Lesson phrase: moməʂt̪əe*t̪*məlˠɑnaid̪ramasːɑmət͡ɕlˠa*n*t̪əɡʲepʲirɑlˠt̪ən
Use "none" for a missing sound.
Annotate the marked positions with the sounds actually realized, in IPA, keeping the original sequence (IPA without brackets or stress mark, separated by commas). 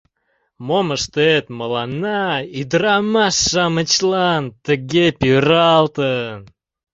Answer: t̪, n